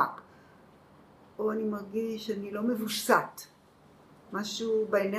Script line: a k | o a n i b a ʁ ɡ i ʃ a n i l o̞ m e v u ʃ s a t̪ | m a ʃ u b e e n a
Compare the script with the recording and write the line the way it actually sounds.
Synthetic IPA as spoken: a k | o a n i m a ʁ ɡ i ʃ a n i l o̞ m e v u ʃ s a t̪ | m a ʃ u b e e n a